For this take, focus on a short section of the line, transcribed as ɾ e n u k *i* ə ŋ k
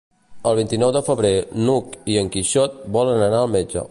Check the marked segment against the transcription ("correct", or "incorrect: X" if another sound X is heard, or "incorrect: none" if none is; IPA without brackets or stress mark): correct